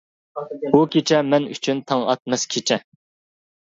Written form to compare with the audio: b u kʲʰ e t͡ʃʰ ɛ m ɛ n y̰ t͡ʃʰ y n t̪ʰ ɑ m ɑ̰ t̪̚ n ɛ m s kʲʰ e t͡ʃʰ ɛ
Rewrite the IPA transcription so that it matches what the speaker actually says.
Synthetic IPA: b u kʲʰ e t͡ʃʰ ɛ m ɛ n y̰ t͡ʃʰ y n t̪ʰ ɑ ŋ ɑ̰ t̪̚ m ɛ s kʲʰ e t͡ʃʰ ɛ

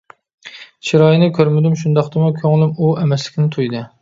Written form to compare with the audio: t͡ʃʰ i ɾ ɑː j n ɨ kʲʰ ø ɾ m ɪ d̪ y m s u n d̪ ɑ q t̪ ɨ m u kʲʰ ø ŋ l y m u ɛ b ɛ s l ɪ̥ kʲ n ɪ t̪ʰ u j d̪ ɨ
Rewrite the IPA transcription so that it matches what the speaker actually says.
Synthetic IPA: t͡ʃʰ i ɾ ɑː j n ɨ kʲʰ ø ɾ m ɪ d̪ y m ʃ u n d̪ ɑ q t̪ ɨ m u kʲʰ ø ŋ l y m u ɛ m ɛ s l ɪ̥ kʲ n ɪ t̪ʰ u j d̪ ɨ

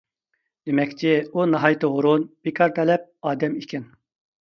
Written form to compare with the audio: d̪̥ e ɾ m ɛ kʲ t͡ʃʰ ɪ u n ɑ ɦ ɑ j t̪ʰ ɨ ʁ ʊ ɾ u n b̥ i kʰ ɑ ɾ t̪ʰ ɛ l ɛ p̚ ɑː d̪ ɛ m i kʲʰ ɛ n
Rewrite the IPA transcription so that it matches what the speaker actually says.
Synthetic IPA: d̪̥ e m ɛ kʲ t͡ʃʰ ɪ u n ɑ ɦ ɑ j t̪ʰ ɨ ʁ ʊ ɾ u n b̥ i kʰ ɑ ɾ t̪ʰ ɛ l ɛ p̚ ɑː d̪ ɛ m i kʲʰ ɛ n

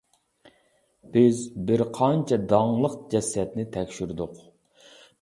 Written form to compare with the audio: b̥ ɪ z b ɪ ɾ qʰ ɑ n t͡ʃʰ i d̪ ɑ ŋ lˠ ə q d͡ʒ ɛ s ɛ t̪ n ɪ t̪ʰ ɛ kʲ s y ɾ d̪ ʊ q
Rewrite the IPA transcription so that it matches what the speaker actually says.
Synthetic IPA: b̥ ɪ z b ɪ ɾ qʰ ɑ n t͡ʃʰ ɛ d̪ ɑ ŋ lˠ ə q d͡ʒ ɛ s ɛ t̪ n ɪ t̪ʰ ɛ kʲ ʃ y ɾ d̪ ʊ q

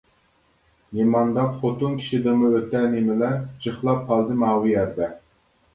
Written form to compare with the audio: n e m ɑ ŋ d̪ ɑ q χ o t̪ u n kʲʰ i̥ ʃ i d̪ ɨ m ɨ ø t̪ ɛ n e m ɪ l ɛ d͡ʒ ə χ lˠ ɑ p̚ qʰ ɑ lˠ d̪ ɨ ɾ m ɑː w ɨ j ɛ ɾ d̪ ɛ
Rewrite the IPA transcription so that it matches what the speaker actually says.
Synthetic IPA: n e m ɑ n d̪ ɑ p χ o t̪ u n kʲʰ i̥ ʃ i d̪ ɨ m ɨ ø t̪ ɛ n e m ɪ l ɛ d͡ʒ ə χ lˠ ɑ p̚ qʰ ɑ lˠ d̪ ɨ m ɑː w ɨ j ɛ ɾ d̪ ɛ

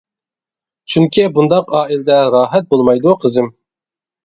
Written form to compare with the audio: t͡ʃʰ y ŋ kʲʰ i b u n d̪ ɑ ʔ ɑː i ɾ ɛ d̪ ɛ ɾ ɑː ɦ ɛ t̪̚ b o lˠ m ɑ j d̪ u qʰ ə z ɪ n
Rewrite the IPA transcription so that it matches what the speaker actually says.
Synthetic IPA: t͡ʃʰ y ŋ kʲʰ i b u n d̪ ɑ q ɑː i l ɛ d̪ ɛ ɾ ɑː ɦ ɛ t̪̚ b o lˠ m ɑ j d̪ u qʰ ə z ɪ m

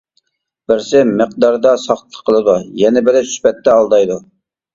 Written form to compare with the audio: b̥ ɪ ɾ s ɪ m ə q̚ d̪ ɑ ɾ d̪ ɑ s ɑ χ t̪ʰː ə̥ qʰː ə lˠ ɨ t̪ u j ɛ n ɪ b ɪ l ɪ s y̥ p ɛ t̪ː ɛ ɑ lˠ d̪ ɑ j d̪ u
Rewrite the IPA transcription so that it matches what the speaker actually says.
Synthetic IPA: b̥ ɪ ɾ s ɪ m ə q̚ d̪ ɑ ɾ d̪ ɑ s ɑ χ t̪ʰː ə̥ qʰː ə lˠ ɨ d̪ u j ɛ n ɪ b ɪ l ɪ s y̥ p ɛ t̪ː ɛ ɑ lˠ d̪ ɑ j d̪ u

